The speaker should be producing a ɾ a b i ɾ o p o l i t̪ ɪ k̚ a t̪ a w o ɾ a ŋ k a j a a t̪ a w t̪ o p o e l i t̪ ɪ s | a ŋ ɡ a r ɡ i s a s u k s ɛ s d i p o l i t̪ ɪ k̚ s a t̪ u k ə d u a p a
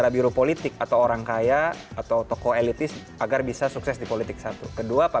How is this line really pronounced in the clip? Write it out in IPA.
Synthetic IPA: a ɾ a b i ɾ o p o l i t̪ ɪ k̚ a t̪ a w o ɾ a ŋ k a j a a t̪ a w t̪ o k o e l i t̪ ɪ s | a ɡ a r b i s a s u k s ɛ s d i p o l i t̪ ɪ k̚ s a t̪ u k ə d u a p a